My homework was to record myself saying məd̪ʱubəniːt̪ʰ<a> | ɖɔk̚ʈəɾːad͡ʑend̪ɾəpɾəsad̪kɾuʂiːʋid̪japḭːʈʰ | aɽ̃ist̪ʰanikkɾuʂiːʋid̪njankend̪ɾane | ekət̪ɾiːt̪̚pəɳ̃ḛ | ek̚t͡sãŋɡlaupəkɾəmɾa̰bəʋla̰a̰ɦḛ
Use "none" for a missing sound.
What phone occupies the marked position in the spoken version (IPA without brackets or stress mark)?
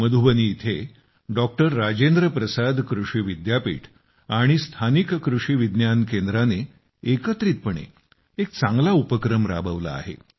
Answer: e